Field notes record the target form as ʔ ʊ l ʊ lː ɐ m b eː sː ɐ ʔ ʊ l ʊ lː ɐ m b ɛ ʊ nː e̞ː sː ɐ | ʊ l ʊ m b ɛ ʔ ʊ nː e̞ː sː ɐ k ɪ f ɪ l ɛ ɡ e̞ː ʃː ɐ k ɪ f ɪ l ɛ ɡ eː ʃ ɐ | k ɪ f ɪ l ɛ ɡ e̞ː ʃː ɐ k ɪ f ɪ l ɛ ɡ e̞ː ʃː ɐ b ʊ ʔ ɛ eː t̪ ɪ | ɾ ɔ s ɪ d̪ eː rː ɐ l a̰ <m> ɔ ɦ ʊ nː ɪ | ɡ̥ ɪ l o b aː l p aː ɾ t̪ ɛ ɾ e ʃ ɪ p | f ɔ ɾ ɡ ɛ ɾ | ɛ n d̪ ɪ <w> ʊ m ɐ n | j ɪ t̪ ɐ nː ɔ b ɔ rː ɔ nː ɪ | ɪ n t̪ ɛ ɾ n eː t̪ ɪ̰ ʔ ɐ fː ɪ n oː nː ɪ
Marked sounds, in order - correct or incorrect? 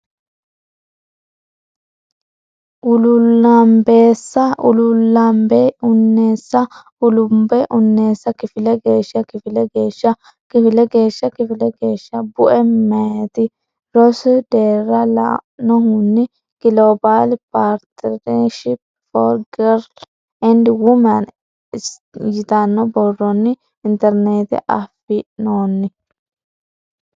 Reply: incorrect, correct

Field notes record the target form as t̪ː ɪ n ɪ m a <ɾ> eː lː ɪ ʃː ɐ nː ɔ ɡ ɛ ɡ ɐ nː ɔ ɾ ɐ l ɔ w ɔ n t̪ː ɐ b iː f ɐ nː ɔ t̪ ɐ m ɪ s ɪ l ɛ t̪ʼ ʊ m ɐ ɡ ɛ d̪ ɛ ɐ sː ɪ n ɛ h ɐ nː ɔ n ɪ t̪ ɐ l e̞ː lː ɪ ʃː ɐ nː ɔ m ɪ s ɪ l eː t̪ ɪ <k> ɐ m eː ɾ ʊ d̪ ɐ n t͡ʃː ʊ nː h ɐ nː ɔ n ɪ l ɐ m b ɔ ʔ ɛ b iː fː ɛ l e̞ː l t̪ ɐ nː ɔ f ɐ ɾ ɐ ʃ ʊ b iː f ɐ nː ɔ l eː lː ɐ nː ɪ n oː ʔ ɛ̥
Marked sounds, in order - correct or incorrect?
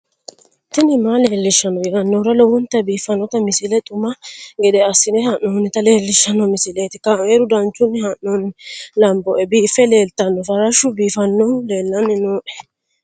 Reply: incorrect, correct

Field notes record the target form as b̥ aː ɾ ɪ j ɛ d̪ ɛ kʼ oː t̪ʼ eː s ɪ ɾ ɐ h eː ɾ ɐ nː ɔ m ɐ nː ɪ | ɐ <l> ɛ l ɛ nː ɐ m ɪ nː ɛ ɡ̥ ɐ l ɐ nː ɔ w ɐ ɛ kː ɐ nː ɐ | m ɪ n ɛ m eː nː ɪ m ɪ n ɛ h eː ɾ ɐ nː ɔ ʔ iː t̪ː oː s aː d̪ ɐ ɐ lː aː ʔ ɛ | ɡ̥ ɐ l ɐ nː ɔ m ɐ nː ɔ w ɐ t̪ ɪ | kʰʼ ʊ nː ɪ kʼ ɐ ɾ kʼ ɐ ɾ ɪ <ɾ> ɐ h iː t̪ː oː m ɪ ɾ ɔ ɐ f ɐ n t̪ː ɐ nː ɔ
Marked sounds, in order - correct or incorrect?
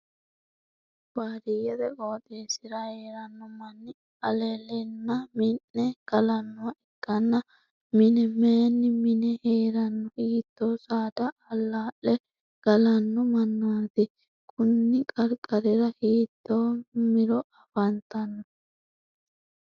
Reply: correct, correct

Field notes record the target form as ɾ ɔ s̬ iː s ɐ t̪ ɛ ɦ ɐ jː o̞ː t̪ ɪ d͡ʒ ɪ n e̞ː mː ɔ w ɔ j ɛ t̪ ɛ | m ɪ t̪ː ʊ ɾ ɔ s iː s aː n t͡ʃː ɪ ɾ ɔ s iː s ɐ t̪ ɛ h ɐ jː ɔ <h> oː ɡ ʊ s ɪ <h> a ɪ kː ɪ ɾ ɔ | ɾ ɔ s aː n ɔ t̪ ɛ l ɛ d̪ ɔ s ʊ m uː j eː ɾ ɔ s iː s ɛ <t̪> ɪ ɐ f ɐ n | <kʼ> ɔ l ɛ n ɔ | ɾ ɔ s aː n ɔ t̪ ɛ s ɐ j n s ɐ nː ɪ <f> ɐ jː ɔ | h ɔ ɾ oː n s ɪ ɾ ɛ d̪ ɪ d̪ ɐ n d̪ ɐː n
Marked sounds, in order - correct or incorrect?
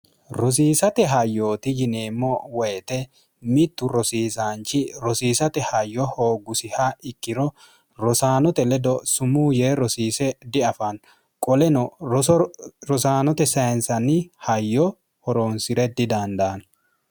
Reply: correct, correct, incorrect, correct, incorrect

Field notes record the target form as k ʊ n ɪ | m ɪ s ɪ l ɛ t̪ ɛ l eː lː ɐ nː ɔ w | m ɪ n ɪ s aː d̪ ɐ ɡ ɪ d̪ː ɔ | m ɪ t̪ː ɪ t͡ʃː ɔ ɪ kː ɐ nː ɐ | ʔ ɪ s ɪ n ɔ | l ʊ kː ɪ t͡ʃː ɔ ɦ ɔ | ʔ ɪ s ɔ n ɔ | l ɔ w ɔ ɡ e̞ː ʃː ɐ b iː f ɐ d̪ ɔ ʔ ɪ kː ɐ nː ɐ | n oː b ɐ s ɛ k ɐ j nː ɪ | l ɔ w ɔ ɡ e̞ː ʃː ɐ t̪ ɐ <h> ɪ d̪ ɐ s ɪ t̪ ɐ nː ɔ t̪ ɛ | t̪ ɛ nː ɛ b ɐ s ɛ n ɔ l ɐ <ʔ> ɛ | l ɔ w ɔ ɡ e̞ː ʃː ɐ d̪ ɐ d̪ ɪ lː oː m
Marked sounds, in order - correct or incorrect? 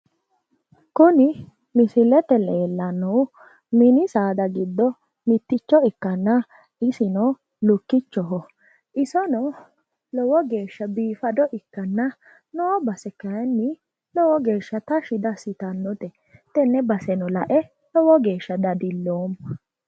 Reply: incorrect, correct

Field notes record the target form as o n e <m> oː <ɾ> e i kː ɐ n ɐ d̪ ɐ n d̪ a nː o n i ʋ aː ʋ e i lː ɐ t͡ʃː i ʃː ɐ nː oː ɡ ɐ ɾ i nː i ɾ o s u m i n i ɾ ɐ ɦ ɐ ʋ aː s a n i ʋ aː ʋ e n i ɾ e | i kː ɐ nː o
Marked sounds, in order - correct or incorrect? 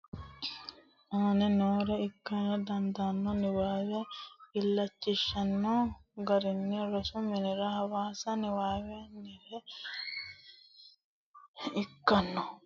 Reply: incorrect, correct

